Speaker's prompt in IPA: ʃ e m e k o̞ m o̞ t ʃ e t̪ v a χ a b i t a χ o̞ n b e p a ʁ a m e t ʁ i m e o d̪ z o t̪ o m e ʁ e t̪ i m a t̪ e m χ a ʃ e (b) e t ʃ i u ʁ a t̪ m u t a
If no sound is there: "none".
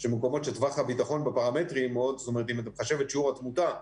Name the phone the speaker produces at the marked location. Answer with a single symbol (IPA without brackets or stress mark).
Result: v